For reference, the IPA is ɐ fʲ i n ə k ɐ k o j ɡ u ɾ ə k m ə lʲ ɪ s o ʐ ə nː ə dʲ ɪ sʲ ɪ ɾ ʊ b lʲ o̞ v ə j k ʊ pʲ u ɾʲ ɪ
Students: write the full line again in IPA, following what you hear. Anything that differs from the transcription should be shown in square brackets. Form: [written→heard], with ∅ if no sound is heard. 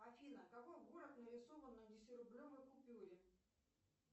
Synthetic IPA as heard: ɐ fʲ i n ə k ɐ k o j ɡ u ɾ ə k [m→n] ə [lʲ→ɾʲ] ɪ s o [ʐ→v] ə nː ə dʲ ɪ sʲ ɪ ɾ ʊ b lʲ o̞ v ə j k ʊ pʲ u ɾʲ ɪ